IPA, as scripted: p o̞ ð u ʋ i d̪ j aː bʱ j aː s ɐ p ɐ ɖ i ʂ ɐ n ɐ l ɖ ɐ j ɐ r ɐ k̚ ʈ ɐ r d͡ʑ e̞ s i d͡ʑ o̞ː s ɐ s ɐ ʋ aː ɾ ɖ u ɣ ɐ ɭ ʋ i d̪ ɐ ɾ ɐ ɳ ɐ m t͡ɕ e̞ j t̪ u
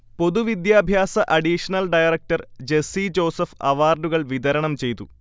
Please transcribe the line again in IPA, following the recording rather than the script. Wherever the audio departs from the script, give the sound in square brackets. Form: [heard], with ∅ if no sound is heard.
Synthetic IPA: p o̞ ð u ʋ i d̪ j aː bʱ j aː s ɐ [ʔ] ɐ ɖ i ʂ ɐ n ɐ l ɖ ɐ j ɐ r ɐ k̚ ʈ ɐ r d͡ʑ e̞ s i d͡ʑ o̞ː s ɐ [f] ɐ ʋ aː [r] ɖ u ɣ ɐ ɭ ʋ i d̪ ɐ ɾ ɐ ɳ ɐ m t͡ɕ e̞ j t̪ u